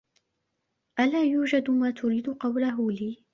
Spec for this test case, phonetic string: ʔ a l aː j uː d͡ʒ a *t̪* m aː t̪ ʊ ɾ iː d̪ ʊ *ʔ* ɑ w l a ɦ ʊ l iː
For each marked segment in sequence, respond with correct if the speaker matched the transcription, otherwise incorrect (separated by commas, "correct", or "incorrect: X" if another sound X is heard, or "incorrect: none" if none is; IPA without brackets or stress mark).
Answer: incorrect: d̪, incorrect: q